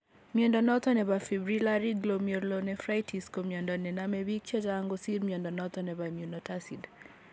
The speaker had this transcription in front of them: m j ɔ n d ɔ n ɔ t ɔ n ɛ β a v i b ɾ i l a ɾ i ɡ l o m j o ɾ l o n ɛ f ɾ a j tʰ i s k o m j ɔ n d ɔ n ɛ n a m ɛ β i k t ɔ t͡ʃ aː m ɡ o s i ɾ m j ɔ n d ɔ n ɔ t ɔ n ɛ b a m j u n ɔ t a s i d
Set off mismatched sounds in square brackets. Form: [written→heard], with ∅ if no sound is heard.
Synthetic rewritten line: m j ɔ n d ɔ n ɔ t ɔ n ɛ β a [v→f] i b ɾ i l a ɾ i ɡ l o m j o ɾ l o n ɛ f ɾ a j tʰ i s k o m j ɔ n d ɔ n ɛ n a m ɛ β i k [t→t͡ʃ] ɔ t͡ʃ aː [m→ŋ] ɡ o s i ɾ m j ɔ n d ɔ n ɔ t ɔ n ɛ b a m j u n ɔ t a s i d